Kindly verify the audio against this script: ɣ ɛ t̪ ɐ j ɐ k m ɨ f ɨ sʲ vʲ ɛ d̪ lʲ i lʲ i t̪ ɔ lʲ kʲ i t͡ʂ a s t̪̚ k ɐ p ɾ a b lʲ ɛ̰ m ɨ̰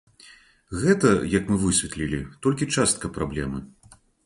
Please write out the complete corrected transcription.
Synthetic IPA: ɣ ɛ t̪ ɐ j ɐ k m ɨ v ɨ sʲ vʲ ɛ t̪ lʲ i lʲ i t̪ ɔ lʲ kʲ i t͡ʂ a s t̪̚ k ɐ p ɾ a b lʲ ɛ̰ m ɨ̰